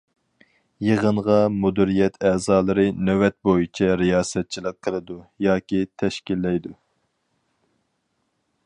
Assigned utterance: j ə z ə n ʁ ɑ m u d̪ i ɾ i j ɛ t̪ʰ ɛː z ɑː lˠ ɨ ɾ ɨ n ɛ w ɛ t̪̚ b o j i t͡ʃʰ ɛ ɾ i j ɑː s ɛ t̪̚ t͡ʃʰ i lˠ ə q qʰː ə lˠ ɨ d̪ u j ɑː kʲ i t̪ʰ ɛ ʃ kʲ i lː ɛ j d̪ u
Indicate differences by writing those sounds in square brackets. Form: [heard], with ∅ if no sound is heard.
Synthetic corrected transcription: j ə [ʁ] ə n ʁ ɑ m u d̪ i ɾ i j ɛ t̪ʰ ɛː z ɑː lˠ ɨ ɾ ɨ n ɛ w ɛ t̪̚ b o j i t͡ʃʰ ɛ ɾ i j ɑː s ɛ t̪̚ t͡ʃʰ i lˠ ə q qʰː ə lˠ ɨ d̪ u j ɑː kʲ i t̪ʰ ɛ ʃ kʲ i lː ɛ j d̪ u